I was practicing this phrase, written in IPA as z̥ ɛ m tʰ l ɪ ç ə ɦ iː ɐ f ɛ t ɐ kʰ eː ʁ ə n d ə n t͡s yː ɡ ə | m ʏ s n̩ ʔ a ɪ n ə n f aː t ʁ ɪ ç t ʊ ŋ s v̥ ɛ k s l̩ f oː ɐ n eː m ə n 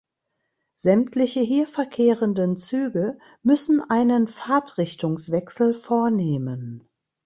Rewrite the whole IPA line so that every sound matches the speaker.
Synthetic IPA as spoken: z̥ ɛ m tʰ l ɪ ç ə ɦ iː ɐ f ɛ ɐ kʰ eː ʁ ə n d ə n t͡s yː ɡ ə | m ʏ s n̩ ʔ a ɪ n ə n f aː t ʁ ɪ ç t ʊ ŋ s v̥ ɛ k s l̩ f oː ɐ n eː m ə n